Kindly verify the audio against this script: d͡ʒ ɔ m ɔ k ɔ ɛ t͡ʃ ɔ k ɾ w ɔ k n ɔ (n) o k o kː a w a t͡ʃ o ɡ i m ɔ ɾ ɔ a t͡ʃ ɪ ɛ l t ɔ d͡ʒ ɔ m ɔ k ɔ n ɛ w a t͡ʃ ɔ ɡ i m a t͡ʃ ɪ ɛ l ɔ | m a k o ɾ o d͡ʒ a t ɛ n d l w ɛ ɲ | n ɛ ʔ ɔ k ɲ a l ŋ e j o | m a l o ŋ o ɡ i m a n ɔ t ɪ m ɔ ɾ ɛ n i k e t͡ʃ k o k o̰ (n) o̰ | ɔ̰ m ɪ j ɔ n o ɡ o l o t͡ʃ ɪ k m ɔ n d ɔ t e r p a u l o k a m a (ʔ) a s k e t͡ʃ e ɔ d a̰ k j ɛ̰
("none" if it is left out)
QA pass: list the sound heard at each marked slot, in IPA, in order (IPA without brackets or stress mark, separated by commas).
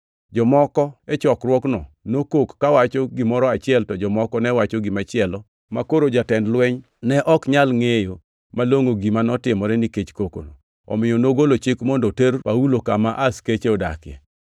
n, n, ʔ